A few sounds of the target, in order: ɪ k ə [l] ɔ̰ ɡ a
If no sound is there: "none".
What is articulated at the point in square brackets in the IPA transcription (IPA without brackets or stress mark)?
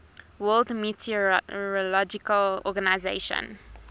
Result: l